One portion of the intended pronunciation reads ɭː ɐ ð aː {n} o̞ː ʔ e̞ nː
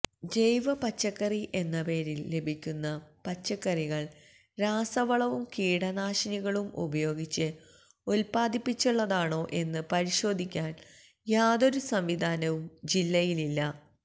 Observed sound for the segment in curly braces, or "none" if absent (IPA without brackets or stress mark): ɳ